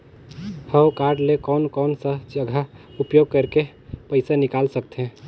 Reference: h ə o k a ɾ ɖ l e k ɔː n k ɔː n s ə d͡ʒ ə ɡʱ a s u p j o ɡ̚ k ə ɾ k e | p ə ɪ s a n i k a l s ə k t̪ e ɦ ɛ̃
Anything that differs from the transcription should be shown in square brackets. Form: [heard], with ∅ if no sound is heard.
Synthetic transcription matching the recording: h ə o k a ɾ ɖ l e k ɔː n k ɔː n s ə d͡ʒ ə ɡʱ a [∅] u p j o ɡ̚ k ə ɾ k e | p ə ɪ s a n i k a l s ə k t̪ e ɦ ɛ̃